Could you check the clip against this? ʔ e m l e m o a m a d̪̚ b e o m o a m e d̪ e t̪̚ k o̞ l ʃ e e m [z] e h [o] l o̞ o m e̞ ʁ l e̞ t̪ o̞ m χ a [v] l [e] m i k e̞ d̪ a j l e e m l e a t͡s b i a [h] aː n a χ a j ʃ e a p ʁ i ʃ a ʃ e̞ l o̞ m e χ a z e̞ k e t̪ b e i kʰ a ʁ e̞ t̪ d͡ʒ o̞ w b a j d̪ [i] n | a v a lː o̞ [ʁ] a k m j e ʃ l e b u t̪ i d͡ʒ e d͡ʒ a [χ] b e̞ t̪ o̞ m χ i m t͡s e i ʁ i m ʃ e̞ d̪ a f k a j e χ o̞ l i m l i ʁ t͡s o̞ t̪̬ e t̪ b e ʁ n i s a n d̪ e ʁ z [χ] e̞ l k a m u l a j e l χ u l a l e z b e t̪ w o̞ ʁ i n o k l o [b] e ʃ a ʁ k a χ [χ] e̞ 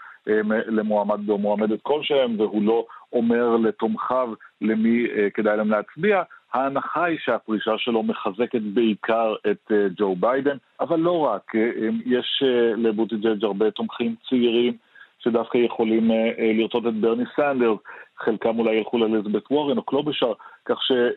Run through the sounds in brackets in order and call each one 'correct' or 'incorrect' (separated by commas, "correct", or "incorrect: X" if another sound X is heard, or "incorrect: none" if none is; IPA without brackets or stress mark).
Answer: incorrect: v, incorrect: u, correct, correct, correct, incorrect: e, correct, incorrect: ʁ, correct, correct, incorrect: ʃ